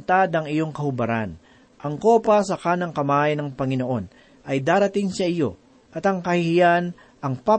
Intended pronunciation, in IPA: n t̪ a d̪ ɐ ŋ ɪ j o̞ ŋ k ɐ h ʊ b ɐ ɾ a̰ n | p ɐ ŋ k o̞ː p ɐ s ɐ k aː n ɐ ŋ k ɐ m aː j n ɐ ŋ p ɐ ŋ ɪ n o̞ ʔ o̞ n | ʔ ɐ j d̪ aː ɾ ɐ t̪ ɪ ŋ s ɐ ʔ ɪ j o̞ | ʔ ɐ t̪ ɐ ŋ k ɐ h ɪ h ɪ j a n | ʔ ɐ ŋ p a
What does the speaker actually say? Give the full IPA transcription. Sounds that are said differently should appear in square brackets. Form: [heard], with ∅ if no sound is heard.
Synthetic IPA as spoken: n t̪ a d̪ ɐ ŋ ɪ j o̞ ŋ k ɐ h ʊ b ɐ ɾ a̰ n | [ʔ] ɐ ŋ k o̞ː p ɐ s ɐ k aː n ɐ ŋ k ɐ m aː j n ɐ ŋ p ɐ ŋ ɪ n o̞ ʔ o̞ n | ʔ ɐ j d̪ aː ɾ ɐ t̪ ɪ ŋ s ɐ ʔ ɪ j o̞ | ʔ ɐ t̪ ɐ ŋ k ɐ h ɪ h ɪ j a n | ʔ ɐ ŋ p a